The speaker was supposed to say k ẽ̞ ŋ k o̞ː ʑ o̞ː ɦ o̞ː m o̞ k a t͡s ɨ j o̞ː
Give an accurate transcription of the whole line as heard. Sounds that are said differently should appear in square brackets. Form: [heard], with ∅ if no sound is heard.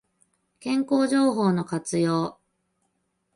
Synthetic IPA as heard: k ẽ̞ ŋ k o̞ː ʑ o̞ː ɦ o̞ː [n] o̞ k a t͡s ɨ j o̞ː